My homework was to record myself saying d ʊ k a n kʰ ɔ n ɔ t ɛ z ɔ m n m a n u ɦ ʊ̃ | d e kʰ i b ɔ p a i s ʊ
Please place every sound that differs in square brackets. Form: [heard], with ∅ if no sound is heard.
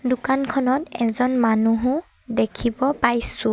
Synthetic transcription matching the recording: d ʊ k a n kʰ ɔ n ɔ t ɛ z ɔ [∅] n m a n u ɦ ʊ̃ | d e kʰ i b ɔ p a [j] s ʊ